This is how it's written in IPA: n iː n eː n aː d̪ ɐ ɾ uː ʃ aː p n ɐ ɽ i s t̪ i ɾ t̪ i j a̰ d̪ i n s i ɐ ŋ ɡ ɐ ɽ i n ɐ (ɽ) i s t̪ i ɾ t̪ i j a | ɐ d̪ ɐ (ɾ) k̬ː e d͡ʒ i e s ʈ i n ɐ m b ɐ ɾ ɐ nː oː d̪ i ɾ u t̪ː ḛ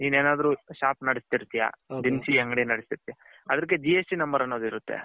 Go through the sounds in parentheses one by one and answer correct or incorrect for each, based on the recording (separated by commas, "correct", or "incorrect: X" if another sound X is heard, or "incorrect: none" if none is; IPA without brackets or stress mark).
correct, correct